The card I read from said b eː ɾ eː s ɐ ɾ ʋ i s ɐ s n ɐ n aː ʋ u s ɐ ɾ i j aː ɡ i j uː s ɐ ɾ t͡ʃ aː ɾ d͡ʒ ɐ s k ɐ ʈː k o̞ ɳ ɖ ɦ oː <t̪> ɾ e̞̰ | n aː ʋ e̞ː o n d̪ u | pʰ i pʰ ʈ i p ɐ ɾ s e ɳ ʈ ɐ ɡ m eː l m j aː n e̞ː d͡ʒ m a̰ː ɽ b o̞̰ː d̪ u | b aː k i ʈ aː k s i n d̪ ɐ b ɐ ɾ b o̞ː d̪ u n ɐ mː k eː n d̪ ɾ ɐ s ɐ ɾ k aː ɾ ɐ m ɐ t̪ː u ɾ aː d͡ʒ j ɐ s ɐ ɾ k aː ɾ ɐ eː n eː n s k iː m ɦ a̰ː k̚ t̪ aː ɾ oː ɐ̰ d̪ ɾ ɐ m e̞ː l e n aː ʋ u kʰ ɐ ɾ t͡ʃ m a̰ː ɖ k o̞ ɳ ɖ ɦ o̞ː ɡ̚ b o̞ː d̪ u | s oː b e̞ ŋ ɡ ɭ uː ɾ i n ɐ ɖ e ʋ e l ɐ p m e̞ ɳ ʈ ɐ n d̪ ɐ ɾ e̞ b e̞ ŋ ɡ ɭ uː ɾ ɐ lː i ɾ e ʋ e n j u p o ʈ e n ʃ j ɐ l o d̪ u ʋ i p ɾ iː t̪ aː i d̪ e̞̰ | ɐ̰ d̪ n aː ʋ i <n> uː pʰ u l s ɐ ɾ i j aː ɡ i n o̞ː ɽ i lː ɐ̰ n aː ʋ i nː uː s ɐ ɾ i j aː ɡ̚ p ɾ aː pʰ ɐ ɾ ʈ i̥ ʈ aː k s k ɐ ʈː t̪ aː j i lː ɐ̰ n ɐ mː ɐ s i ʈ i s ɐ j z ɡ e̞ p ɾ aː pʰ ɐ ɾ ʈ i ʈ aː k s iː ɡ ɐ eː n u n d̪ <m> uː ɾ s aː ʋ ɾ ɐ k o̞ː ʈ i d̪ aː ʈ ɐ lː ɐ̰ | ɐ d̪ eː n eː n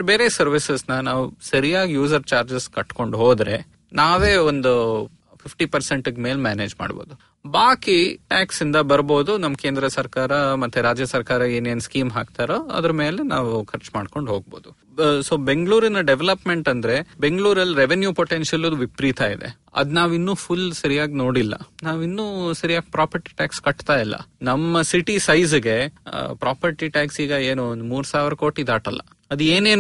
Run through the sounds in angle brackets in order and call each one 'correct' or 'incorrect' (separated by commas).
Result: incorrect, incorrect, correct